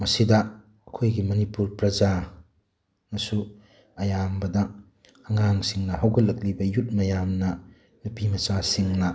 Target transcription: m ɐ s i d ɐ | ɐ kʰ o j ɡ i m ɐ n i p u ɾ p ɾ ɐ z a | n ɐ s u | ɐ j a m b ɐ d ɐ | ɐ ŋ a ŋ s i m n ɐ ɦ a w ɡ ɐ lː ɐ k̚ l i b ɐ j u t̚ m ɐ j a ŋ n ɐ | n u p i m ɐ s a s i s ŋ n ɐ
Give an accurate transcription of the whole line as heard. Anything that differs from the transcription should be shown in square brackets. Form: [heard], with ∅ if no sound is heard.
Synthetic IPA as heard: m ɐ s i d ɐ | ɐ kʰ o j ɡ i m ɐ n i p u ɾ p ɾ ɐ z a | n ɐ s u | ɐ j a m b ɐ d ɐ | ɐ ŋ a ŋ s i [ŋ] n ɐ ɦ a w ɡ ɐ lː ɐ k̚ l i b ɐ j u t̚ m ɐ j a [m] n ɐ | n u p i m ɐ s a s i [∅] ŋ n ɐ